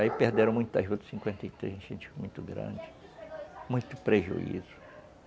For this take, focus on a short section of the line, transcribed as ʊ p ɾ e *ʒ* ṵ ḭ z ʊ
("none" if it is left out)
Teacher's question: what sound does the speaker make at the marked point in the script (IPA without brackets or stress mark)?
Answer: ʒ